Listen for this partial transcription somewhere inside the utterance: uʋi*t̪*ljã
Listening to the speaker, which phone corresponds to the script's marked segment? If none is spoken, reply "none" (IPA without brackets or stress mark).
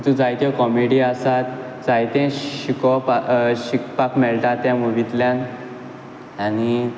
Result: t̪